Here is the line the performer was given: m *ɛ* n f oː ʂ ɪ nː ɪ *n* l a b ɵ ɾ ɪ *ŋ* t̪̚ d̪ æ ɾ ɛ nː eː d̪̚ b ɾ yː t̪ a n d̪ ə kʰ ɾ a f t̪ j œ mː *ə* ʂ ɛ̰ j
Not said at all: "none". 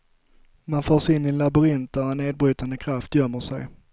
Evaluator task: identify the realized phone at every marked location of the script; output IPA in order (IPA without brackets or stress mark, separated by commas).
a, n, n, ə